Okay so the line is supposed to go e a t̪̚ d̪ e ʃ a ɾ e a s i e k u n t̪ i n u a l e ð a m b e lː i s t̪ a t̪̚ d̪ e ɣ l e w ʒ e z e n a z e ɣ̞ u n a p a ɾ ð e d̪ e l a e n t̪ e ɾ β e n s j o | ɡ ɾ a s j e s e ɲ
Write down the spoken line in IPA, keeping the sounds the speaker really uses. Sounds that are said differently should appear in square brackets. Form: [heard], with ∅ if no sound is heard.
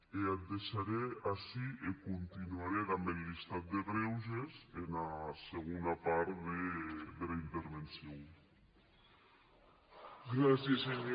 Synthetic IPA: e a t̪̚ d̪ e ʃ a ɾ e a s i e k u n t̪ i n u a [ɾ] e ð a m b e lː i s t̪ a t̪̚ d̪ e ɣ [ɾ] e w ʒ e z e n a [s] e ɣ̞ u n a p a ɾ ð e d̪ e l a [i] n t̪ e ɾ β e n s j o | ɡ ɾ a s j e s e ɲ

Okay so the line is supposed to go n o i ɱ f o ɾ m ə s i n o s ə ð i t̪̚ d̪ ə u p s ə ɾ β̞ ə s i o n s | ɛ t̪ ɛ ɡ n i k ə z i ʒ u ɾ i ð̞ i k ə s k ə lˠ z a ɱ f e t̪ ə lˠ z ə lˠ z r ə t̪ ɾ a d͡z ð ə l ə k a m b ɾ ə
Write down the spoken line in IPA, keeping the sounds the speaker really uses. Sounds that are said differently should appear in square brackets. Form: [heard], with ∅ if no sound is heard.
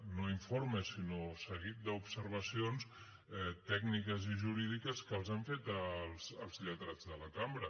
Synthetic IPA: n o i ɱ f o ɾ m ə s i n o s ə [ɣ] i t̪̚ d̪ ə u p s ə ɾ β̞ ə s i o n s | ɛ t̪ ɛ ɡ n i k ə z i ʒ u ɾ i ð̞ i k ə s k ə lˠ z a ɱ f e t̪ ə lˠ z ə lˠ z [ʎ] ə t̪ ɾ a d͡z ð ə l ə k a m b ɾ ə

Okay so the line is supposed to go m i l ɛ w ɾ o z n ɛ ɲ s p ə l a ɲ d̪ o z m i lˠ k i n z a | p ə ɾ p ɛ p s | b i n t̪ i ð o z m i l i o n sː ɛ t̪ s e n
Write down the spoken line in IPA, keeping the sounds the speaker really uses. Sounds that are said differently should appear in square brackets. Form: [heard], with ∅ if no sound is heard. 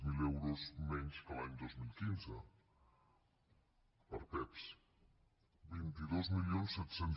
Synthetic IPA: m i l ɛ w ɾ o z [m] ɛ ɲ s [k] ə l a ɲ d̪ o z m i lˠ k i n z [ə] | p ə ɾ p ɛ p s | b i n t̪ i ð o z m i l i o n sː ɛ t̪ s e n

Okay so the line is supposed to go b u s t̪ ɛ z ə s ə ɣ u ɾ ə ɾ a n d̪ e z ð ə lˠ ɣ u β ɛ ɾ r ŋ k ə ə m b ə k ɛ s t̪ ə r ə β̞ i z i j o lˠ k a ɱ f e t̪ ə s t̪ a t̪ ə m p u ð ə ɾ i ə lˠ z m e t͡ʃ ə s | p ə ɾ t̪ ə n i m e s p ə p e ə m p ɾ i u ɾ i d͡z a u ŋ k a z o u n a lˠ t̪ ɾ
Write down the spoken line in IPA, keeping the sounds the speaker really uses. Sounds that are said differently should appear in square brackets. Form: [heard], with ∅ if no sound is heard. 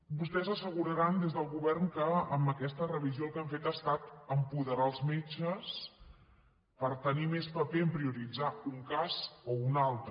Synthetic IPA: b u s t̪ ɛ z ə s ə ɣ u ɾ ə ɾ a n d̪ e z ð ə lˠ ɣ u β ɛ [∅] r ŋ k ə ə m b ə k ɛ s t̪ ə r ə β̞ i z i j o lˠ k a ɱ f e t̪ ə s t̪ a t̪ ə m p u ð ə ɾ [a] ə lˠ z m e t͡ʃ ə s | p ə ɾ t̪ ə n i m e s p ə p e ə m p ɾ i u ɾ i d͡z a u ŋ k a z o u n a lˠ t̪ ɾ

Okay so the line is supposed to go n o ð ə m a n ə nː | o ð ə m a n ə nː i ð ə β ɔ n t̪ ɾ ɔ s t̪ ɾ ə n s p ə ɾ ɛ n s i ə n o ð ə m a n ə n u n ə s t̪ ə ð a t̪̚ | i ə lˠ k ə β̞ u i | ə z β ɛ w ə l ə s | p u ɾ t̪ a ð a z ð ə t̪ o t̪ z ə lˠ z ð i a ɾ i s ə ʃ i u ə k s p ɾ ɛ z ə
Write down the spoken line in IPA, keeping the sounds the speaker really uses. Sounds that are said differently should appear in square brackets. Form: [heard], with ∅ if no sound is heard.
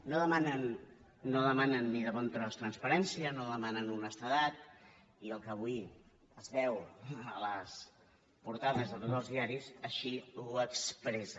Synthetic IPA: n o ð ə m a n ə nː | o ð ə m a n ə nː i ð ə β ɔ n t̪ ɾ ɔ s t̪ ɾ ə n s p ə ɾ ɛ n s i ə n o ð ə m a n ə n u n ə s t̪ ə ð a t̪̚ | i ə lˠ k ə β̞ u i | ə z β ɛ w ə l ə s | p u ɾ t̪ a ð [ə] z ð ə t̪ o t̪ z ə lˠ z ð i a ɾ i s ə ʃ i u ə k s p ɾ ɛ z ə

